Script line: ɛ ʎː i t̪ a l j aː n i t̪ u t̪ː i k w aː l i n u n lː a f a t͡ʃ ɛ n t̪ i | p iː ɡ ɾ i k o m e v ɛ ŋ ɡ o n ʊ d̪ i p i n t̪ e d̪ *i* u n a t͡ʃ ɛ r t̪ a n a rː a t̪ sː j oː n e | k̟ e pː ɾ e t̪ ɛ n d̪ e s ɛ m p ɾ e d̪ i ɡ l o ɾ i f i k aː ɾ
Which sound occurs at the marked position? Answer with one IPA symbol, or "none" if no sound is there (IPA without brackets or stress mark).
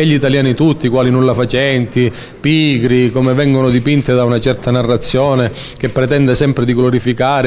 a